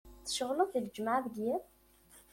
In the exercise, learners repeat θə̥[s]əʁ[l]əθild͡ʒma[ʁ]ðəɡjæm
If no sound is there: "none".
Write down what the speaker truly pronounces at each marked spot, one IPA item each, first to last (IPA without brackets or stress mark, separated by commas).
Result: ʃ, l, ʕ